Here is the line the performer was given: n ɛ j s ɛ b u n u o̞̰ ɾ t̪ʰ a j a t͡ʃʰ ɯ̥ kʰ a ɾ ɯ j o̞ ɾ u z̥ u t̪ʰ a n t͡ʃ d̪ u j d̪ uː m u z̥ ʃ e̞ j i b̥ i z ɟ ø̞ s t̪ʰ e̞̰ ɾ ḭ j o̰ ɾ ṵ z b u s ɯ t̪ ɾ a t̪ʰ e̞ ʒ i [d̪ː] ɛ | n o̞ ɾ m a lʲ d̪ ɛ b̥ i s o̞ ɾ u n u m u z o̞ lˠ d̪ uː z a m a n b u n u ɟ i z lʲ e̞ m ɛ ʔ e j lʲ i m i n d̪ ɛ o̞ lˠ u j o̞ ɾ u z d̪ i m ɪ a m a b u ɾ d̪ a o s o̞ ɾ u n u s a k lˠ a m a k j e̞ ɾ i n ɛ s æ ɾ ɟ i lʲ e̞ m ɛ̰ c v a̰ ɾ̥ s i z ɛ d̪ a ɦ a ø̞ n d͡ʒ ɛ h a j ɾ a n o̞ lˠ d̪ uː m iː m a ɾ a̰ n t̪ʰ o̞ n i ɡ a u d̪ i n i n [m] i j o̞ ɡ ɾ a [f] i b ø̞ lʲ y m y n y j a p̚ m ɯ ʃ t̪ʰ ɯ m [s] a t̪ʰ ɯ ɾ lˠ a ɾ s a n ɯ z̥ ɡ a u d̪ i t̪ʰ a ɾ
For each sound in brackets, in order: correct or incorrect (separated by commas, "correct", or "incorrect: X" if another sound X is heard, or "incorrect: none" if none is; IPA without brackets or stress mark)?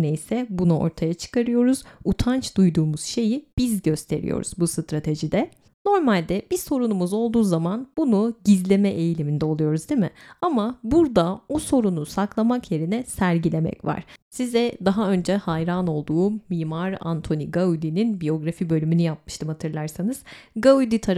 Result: incorrect: d̪, incorrect: b, correct, incorrect: h